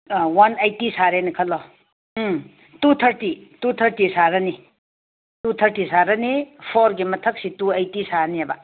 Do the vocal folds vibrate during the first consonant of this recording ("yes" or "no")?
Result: yes